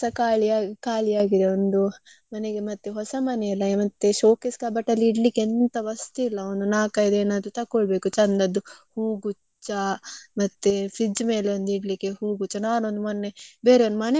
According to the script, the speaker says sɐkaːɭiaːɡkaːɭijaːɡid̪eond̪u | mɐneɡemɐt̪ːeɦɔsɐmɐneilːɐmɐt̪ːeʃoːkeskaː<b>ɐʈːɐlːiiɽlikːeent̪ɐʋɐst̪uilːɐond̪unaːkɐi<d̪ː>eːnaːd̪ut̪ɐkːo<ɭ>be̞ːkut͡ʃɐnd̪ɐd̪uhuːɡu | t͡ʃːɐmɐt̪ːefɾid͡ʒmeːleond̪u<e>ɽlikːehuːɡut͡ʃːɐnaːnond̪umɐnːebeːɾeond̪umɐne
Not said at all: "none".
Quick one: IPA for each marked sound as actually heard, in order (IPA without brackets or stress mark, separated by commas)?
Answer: b, d̪, ɭ, i